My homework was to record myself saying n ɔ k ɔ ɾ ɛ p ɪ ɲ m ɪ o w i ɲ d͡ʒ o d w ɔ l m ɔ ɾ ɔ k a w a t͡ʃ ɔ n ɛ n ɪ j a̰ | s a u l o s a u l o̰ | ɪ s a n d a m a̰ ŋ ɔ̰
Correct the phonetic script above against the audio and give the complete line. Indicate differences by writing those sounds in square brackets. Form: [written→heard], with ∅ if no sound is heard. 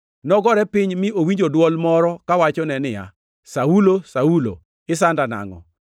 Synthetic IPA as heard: n ɔ [k→ɡ] ɔ ɾ ɛ p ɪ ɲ m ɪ o w i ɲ d͡ʒ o d w ɔ l m ɔ ɾ ɔ k a w a t͡ʃ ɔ n ɛ n ɪ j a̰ | s a u l o s a u l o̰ | ɪ s a n d a [m→n] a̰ ŋ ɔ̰